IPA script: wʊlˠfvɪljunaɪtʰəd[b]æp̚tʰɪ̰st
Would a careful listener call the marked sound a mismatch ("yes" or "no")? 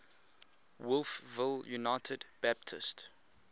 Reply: no